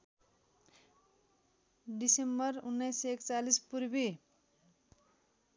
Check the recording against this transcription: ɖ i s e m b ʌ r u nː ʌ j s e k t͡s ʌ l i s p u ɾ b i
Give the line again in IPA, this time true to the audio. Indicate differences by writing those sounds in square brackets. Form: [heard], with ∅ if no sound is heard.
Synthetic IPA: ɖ i s e m b ʌ r u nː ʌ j s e k t͡s [a] l i s p u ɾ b i